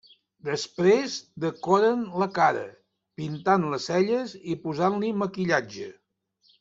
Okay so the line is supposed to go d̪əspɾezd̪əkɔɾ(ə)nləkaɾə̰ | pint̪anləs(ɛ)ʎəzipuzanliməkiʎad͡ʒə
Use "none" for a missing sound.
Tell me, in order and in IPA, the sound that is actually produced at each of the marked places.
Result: ə, ɛ

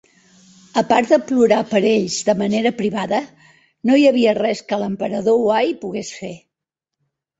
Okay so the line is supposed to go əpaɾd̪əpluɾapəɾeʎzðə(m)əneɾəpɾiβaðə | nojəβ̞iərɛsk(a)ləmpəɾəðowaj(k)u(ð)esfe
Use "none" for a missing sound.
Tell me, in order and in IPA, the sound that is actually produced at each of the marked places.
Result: m, ə, p, ɣ

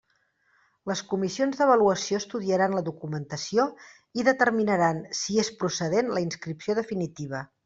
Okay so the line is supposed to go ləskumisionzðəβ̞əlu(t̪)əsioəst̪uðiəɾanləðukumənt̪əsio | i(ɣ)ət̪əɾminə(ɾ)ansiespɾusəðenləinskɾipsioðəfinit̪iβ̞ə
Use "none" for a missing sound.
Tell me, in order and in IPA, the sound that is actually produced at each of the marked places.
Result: none, ð, ɾ

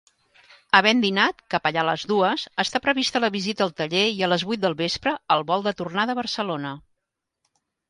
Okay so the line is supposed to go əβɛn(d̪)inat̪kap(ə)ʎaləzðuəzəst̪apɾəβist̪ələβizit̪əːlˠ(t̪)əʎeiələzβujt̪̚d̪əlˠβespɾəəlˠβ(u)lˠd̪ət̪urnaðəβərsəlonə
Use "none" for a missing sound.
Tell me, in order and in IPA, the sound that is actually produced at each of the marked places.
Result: d̪, ə, t̪, ɔ

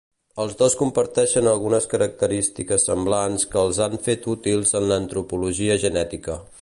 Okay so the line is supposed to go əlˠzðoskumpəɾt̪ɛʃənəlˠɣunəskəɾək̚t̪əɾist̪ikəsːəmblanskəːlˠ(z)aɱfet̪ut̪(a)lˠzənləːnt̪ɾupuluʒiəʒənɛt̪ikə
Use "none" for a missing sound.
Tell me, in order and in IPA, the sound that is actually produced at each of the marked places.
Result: z, i

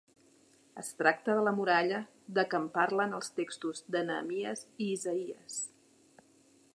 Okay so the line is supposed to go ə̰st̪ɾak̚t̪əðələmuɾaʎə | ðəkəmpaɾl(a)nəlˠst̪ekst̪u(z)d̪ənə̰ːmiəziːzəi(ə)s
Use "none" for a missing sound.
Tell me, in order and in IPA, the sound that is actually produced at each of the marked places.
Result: ə, z, ə

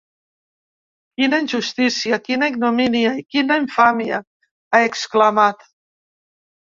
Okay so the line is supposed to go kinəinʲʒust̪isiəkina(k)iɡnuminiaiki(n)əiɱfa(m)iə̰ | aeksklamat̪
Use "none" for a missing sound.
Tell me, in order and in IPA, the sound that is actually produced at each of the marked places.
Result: none, n, m

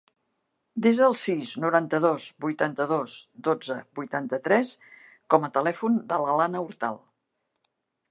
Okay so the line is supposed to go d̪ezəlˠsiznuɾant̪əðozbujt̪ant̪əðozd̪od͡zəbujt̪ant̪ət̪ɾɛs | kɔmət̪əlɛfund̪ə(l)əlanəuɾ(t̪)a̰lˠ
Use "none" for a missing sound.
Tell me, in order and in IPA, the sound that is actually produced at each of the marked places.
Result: l, t̪

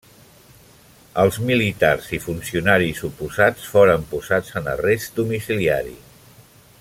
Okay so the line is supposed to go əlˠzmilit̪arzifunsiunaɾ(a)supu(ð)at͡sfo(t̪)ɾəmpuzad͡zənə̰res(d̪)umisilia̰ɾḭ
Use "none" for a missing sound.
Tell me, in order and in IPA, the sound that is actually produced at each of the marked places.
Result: i, z, none, d̪

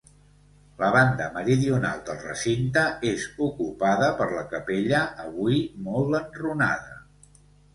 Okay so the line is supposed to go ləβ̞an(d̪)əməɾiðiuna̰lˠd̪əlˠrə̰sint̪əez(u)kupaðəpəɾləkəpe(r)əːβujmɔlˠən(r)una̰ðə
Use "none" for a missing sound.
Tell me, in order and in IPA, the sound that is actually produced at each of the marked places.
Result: d̪, u, ʎ, r

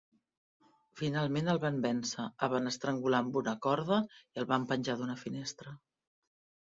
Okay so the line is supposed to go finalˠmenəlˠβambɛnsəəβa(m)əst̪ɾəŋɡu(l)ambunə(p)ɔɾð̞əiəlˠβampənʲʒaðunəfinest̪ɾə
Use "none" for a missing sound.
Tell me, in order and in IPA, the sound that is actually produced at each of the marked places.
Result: n, l, k

